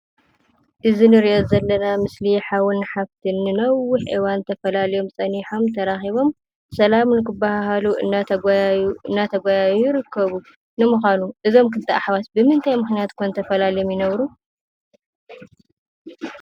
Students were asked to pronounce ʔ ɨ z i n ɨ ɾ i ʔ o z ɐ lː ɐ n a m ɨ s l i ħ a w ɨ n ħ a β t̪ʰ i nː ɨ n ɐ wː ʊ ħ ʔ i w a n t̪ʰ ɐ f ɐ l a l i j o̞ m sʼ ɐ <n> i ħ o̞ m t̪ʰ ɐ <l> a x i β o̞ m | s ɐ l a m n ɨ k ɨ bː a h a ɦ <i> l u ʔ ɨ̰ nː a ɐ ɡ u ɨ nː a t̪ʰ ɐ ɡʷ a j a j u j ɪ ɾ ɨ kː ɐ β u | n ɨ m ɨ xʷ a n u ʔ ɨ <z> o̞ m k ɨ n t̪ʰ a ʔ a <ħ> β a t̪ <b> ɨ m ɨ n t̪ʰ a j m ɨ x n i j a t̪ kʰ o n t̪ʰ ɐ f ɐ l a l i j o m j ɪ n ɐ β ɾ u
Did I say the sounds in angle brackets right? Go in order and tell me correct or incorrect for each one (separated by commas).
correct, incorrect, incorrect, correct, correct, correct